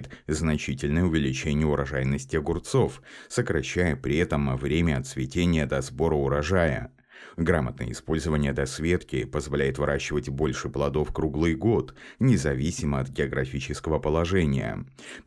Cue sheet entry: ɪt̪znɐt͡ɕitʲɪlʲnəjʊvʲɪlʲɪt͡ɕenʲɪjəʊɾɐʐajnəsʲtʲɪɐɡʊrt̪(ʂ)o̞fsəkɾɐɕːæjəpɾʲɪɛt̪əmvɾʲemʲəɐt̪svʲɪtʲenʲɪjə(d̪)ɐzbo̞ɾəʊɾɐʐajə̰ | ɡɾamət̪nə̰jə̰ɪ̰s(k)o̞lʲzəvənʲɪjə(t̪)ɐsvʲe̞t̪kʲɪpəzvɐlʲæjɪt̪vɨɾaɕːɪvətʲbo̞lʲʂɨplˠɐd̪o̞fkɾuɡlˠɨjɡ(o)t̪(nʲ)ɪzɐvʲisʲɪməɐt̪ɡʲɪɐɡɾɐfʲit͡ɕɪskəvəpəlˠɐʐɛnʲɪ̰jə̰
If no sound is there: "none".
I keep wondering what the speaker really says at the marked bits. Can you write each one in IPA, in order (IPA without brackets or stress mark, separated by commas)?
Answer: s, d̪, p, d̪, o, nʲ